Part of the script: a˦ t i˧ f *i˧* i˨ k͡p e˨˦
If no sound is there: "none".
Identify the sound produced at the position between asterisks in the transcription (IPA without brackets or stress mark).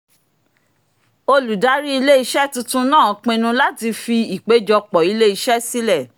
i˧